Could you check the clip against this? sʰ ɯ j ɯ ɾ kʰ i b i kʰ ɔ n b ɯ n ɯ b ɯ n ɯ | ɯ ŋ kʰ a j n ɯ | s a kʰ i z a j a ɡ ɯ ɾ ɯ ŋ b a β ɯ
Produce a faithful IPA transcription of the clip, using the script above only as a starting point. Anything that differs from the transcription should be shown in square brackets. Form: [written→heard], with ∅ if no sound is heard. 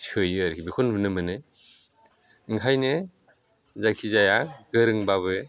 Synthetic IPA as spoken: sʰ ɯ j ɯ ɾ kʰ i b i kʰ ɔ n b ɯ n ɯ [b→m] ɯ n ɯ | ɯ ŋ kʰ a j n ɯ | [s→z] a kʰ i z a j a ɡ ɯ ɾ ɯ ŋ b a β ɯ